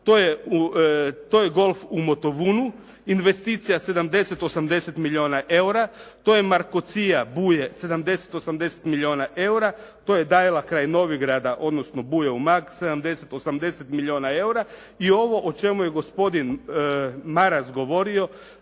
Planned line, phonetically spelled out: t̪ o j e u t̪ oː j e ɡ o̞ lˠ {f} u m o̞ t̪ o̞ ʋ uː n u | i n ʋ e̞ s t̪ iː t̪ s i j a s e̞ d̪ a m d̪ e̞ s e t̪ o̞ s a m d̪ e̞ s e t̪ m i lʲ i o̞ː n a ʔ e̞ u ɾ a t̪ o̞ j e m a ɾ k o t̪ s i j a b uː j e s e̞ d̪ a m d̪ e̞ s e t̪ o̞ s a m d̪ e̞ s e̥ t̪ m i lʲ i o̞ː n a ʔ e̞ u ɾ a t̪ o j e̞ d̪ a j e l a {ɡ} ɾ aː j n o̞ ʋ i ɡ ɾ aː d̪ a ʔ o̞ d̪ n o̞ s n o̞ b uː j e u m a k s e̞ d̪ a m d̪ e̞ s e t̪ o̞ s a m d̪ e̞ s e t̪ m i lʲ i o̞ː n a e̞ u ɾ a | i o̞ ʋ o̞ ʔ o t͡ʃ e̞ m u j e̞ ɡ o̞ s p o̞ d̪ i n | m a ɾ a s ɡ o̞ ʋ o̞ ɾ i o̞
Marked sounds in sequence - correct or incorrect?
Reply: correct, incorrect

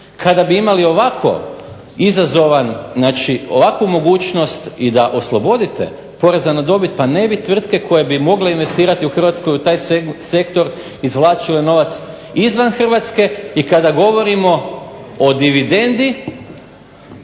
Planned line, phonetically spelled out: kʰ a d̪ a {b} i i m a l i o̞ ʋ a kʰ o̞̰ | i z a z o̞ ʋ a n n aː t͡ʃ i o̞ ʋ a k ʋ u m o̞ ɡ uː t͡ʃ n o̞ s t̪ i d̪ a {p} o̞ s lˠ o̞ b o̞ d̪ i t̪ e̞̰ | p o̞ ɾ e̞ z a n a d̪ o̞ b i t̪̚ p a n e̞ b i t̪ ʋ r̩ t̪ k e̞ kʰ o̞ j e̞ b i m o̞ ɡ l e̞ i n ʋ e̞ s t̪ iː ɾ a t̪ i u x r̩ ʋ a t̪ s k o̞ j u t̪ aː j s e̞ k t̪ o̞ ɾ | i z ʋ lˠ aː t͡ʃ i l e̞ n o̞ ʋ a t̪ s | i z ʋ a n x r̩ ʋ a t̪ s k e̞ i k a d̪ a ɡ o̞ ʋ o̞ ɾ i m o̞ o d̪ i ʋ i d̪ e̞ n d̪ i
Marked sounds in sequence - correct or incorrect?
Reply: correct, incorrect

